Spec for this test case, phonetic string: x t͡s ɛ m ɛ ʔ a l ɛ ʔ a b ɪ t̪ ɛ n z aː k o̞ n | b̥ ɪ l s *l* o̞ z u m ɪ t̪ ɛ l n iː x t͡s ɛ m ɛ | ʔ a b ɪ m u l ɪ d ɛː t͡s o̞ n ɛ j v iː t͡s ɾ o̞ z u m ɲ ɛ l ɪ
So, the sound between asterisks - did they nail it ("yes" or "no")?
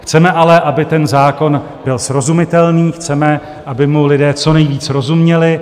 no